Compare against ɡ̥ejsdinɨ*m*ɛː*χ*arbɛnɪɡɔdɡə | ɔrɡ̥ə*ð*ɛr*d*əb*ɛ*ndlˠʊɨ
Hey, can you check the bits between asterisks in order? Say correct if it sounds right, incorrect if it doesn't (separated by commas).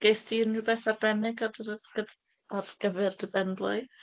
incorrect, incorrect, incorrect, correct, correct